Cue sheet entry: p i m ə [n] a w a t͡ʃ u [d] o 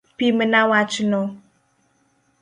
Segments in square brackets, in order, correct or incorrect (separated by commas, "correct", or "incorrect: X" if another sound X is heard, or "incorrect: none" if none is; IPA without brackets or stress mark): correct, incorrect: n